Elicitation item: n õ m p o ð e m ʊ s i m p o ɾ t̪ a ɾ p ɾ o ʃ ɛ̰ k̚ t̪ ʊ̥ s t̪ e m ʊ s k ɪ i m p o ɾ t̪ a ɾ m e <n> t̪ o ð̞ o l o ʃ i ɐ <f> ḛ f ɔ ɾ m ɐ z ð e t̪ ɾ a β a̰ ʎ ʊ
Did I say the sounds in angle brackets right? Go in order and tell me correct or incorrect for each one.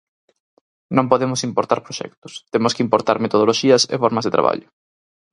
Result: incorrect: none, incorrect: s

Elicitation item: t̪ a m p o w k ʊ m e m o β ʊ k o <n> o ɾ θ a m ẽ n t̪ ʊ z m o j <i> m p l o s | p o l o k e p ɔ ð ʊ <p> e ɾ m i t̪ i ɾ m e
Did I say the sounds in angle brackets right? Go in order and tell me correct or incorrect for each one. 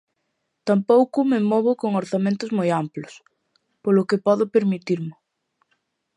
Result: incorrect: ŋ, incorrect: a, correct

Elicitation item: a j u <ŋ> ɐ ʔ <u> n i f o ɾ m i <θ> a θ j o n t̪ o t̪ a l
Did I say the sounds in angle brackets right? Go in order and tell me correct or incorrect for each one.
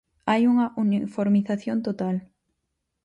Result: correct, correct, correct

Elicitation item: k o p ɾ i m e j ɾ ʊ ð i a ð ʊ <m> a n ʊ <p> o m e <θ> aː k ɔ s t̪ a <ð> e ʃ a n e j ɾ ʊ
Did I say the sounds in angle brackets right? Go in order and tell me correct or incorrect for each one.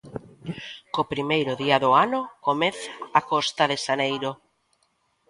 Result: incorrect: none, incorrect: k, correct, correct

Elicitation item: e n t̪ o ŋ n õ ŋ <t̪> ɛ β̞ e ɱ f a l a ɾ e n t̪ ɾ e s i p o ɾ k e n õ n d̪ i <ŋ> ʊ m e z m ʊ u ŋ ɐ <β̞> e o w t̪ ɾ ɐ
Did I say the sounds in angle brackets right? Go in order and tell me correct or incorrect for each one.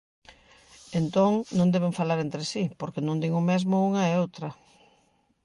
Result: incorrect: d̪, correct, incorrect: none

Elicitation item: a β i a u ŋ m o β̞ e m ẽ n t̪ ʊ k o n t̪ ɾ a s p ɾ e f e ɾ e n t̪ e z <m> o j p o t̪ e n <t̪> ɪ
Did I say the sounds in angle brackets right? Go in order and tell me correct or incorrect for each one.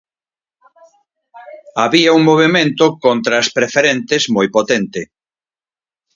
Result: correct, correct

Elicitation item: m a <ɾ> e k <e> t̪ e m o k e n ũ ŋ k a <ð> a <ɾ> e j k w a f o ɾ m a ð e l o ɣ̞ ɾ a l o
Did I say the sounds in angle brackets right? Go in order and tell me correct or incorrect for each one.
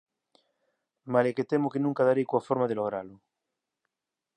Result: incorrect: l, correct, correct, correct

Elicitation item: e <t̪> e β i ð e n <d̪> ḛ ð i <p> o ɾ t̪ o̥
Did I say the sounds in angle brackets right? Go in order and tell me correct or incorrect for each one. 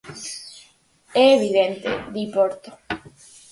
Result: incorrect: none, incorrect: t̪, correct

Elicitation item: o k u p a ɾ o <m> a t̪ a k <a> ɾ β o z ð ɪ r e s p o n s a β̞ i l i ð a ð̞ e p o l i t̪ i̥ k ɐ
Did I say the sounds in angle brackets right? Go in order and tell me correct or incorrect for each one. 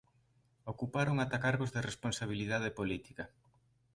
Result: incorrect: ŋ, correct

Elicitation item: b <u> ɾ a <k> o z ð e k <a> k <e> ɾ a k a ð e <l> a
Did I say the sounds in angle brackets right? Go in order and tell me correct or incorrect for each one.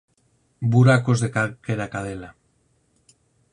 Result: correct, correct, correct, correct, correct

